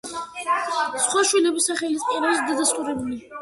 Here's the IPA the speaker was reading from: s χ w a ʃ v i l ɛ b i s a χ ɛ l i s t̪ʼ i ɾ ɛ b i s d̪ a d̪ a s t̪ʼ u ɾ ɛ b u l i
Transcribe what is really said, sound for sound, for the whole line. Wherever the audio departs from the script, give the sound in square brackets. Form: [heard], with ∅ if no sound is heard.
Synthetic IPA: s χ w a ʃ [w] i l ɛ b i s a χ ɛ l i s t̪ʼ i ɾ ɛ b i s d̪ a d̪ a s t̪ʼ u ɾ ɛ b u l i